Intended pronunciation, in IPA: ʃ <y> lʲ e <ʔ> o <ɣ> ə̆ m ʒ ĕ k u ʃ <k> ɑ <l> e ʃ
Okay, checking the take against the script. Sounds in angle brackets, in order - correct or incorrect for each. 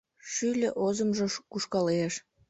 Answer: correct, correct, incorrect: z, correct, correct

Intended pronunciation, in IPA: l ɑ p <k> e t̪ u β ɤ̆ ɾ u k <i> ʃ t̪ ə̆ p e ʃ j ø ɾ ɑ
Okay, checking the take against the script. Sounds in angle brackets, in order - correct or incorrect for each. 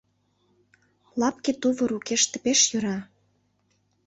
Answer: correct, incorrect: e

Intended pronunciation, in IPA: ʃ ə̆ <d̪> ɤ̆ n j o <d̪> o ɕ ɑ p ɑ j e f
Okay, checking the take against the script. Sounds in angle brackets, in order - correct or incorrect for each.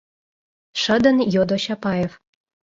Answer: correct, correct

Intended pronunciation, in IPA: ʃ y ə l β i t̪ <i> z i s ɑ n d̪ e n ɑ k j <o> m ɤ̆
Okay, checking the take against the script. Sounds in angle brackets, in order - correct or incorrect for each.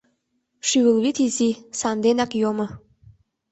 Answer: correct, correct

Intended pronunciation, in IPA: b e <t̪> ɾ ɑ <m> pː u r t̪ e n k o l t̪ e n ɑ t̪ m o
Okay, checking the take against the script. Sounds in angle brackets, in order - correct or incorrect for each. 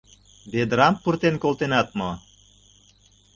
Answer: incorrect: d̪, correct

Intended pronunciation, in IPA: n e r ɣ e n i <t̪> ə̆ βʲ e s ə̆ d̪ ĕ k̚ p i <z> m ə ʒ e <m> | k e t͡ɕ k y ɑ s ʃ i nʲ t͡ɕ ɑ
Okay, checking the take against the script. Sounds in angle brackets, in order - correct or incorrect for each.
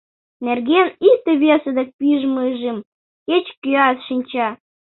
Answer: correct, incorrect: ʒ, correct

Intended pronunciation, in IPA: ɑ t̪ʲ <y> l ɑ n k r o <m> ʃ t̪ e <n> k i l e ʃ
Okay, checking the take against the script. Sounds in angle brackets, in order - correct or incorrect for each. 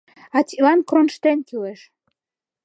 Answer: incorrect: i, incorrect: n, correct

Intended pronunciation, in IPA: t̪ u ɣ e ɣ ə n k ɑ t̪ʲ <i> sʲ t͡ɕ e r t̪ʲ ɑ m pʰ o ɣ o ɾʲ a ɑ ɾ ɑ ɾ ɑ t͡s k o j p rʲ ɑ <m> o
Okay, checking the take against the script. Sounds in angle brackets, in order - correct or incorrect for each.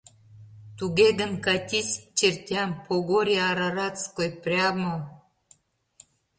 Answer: correct, correct

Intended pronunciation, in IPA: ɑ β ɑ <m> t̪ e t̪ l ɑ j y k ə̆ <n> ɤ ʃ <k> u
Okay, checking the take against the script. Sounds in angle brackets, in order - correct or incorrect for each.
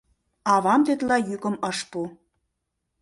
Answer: correct, incorrect: m, incorrect: p

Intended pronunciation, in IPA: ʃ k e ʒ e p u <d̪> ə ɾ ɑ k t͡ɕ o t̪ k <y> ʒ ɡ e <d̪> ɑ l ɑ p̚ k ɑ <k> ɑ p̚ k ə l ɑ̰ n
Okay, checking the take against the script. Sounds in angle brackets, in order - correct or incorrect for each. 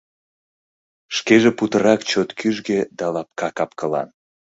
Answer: incorrect: t̪, correct, correct, correct

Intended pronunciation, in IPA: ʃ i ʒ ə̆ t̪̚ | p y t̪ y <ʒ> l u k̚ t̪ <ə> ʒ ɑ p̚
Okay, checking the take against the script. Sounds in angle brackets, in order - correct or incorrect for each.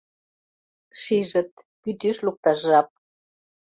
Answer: incorrect: ʃ, incorrect: ɑ

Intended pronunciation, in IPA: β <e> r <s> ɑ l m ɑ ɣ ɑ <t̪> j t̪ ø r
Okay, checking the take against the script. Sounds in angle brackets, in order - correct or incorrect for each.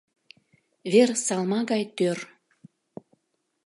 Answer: correct, correct, incorrect: none

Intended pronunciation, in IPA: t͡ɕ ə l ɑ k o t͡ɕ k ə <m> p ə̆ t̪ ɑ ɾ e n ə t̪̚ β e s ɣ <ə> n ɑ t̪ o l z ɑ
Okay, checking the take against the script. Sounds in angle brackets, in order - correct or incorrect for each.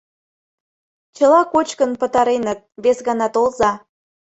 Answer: incorrect: n, incorrect: ɑ

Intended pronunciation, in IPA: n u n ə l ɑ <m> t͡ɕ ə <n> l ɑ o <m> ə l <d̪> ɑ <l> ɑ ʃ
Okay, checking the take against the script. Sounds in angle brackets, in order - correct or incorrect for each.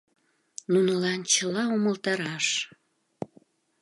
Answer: incorrect: n, incorrect: none, correct, incorrect: t̪, incorrect: ɾ

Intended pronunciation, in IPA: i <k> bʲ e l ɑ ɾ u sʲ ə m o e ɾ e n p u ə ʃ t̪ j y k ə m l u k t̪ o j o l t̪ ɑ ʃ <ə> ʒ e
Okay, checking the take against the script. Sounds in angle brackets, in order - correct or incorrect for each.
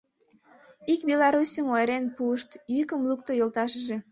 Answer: correct, correct

